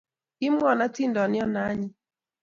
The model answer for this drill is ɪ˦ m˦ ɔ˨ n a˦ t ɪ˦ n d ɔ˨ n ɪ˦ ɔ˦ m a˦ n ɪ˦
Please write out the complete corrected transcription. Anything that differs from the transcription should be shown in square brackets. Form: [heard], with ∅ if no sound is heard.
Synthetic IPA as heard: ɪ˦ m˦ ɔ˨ n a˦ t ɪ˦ n d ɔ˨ n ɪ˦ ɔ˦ [n] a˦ [ɲ] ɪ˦